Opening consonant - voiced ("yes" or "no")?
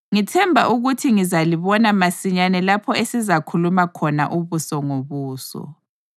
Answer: yes